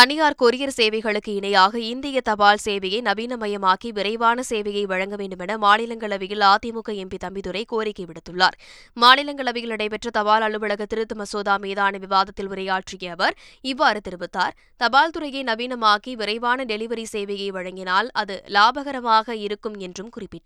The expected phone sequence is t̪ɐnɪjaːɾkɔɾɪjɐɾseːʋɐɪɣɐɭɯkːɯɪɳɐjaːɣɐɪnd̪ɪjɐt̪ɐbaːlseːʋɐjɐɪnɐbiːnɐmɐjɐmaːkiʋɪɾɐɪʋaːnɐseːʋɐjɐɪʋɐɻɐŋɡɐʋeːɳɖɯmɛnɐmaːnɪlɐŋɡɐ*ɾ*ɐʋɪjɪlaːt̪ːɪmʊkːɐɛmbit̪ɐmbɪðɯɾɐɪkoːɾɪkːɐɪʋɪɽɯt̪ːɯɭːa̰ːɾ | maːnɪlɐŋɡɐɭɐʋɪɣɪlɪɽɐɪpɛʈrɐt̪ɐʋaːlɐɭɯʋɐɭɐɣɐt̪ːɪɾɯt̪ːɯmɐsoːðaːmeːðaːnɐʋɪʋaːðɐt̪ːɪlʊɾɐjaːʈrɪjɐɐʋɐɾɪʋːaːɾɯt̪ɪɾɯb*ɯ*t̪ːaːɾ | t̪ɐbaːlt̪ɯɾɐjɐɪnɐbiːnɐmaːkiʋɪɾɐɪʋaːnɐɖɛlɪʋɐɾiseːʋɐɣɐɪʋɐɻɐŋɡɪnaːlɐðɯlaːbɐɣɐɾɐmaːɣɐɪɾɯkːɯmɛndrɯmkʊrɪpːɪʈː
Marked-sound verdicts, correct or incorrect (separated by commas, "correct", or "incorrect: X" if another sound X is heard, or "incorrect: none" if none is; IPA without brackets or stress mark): incorrect: ɭ, correct